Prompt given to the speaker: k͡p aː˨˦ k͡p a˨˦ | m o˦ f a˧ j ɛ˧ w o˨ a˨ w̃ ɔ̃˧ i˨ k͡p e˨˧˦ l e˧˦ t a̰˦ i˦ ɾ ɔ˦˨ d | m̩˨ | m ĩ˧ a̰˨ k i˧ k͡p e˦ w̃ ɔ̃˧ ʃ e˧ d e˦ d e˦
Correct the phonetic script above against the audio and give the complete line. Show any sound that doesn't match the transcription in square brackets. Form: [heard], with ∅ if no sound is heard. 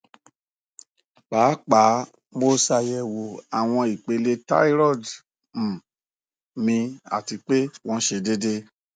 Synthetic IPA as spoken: k͡p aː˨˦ k͡p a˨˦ | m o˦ [s] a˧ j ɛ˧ w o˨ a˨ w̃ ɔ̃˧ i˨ k͡p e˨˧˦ l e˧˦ t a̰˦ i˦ ɾ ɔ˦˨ d | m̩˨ | m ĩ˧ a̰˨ [t] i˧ k͡p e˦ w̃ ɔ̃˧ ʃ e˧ d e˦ d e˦